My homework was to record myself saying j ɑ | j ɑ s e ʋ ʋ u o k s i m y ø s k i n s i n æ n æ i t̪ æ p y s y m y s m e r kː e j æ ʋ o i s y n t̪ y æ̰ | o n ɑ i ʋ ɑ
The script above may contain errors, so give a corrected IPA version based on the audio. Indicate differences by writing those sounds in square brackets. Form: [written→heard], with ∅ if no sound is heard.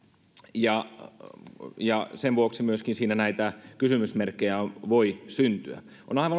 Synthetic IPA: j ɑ | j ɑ s e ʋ ʋ u o k s i m y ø s k i n s [i→iː] n æ n æ i t̪ æ [p→k] y s y m y s m e r kː e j æ ʋ o i s y n t̪ y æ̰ | o n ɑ i ʋ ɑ